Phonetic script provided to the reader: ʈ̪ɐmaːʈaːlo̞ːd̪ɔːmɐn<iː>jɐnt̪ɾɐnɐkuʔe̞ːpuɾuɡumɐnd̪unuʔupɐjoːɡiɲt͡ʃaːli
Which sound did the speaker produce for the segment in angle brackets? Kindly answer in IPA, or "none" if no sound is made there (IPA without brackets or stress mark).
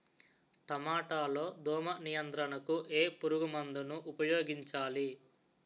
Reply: i